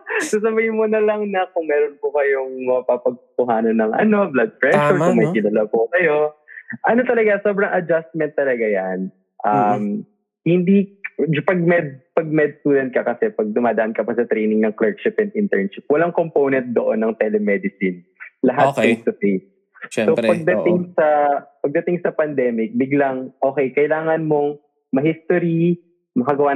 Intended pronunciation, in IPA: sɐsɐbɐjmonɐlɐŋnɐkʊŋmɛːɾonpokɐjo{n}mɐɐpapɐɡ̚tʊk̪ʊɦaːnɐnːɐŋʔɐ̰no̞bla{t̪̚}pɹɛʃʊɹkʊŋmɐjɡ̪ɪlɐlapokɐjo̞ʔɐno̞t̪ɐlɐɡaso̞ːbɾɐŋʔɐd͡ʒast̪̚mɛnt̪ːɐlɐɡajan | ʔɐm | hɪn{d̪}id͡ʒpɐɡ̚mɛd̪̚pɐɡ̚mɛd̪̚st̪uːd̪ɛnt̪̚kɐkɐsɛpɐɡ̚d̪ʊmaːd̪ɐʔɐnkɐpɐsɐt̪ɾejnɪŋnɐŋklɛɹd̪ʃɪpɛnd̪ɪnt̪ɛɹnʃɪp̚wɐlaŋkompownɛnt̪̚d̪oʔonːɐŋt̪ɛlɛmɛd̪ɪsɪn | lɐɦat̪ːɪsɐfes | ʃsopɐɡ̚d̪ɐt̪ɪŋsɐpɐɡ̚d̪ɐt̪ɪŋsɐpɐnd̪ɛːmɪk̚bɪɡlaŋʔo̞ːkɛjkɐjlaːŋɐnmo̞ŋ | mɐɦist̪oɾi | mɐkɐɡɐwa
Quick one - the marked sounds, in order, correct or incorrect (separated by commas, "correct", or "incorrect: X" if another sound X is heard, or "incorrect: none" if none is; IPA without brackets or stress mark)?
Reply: incorrect: ŋ, incorrect: d̪̚, correct